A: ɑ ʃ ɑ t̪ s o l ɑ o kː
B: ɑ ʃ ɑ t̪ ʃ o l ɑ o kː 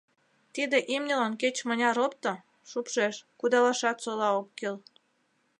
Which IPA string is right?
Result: A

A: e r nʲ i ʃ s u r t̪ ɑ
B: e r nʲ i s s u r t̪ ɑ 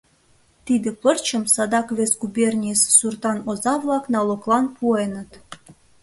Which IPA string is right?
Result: B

